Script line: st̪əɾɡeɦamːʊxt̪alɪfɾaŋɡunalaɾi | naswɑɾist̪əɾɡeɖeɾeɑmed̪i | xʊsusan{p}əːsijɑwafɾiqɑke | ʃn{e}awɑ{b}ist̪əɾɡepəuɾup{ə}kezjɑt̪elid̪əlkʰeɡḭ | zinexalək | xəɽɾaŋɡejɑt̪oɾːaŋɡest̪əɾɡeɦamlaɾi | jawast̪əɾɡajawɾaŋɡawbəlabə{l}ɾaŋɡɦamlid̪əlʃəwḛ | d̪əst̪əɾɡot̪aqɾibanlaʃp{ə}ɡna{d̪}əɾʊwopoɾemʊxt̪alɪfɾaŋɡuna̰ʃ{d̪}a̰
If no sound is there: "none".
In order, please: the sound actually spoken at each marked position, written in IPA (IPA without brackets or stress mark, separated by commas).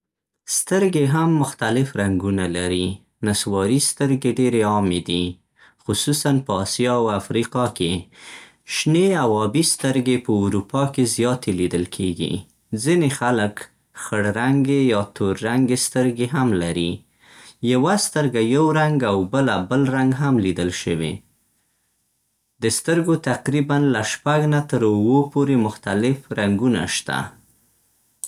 p, e, b, ɑ, l, a, t̪, t̪